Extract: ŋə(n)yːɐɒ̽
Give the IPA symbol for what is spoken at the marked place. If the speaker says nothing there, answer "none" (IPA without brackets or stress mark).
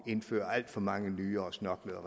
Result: n